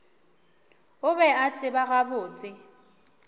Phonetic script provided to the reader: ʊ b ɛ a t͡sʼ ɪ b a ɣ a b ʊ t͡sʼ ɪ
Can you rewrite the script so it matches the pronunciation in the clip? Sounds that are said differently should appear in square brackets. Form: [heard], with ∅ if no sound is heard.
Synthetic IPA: ʊ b ɛ a t͡sʼ ɪ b a ɣ a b [ʊː] t͡sʼ ɪ